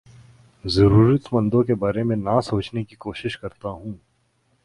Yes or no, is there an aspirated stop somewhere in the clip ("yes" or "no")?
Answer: no